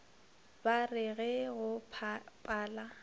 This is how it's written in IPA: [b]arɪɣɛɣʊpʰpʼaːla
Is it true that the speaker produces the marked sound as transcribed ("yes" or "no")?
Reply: yes